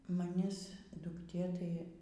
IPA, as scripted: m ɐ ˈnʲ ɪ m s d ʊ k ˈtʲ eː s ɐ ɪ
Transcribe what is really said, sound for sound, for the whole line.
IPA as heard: m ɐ ˈnʲ ɪ s d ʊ k ˈtʲ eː t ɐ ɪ